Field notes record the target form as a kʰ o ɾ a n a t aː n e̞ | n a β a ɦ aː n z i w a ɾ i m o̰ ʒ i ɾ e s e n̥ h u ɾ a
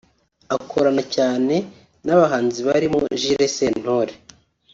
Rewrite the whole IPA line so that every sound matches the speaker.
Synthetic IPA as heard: a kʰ o ɾ a n a c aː n e̞ | n a β a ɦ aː n z i β a ɾ i m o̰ ʒ i ɾ e s e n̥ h o ɾ e

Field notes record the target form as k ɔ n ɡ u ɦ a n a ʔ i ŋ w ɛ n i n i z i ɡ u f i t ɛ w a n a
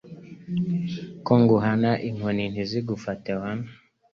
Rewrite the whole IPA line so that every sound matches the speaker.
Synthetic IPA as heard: k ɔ ŋ ɡ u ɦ a n a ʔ i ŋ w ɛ n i n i z i ɡ u f a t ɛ w a n a

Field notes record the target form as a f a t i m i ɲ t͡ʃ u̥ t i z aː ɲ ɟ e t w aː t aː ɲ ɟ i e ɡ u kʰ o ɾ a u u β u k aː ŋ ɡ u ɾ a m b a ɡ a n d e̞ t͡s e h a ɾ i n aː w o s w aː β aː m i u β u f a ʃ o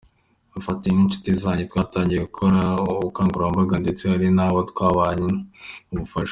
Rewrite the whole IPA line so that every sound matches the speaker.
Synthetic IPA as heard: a f a t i n i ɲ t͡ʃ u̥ t i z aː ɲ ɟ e t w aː t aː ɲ ɟ i e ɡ u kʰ o ɾ a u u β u k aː ŋ ɡ u ɾ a m b a ɡ a n d e̞ t͡s e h a ɾ i n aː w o t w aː β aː ɲ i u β u f a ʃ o

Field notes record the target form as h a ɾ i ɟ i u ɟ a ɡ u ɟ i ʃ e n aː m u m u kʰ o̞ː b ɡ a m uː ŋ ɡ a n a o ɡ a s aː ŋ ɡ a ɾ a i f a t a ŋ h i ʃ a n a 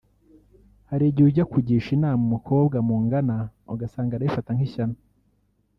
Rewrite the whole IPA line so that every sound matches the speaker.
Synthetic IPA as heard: h a ɾ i ɟ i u ɟ a k u ɟ i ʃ i n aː m u m u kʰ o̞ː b ɡ a m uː ŋ ɡ a n a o ɡ a s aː ŋ ɡ a ɾ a i f a t a ŋ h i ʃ a n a

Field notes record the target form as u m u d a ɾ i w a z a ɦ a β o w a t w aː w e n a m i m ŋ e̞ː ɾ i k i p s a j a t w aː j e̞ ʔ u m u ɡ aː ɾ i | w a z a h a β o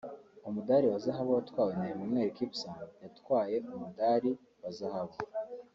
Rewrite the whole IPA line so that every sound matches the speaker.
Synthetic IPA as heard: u m u d a ɾ i w a z a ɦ a β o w a t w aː w e n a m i m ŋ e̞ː ɾ i k i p s a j a t w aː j e̞ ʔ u m u d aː ɾ i | w a z a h a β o

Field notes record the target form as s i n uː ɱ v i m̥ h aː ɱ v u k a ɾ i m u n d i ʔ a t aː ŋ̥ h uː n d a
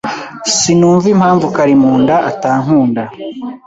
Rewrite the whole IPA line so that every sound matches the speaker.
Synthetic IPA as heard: s i n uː ɱ v i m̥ h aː ɱ v u k a ɾ i m uː n d a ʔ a t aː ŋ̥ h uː n d a

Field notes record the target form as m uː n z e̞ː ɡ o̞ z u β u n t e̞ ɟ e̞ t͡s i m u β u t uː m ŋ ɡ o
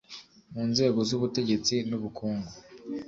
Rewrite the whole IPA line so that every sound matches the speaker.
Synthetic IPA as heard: m uː n z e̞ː ɡ o̞ z u β u t e̞ ɟ e̞ t͡s i n u β u k uː ŋ ɡ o

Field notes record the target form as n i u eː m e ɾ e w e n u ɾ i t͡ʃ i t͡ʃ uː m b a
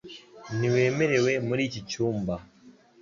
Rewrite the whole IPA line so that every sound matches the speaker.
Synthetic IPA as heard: n i w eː m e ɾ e w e m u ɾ i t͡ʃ i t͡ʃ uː m b a

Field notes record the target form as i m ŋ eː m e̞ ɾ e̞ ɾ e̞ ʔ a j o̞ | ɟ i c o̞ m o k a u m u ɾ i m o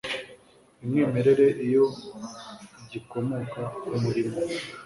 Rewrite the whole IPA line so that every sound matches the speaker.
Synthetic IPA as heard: i m ŋ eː m e̞ ɾ e̞ ɾ e̞ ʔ i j o̞ | ɟ i k o̞ m o k a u m u ɾ i m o

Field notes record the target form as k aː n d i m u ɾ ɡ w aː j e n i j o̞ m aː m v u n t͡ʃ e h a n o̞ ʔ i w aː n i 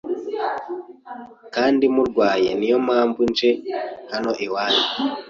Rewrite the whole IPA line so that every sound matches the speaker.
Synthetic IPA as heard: k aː n d i m u ɾ ɡ w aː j e n i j o̞ m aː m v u n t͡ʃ e h a n o̞ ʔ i w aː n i

